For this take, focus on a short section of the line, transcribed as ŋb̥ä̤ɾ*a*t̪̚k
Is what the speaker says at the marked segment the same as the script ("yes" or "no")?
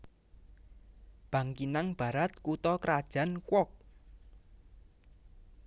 yes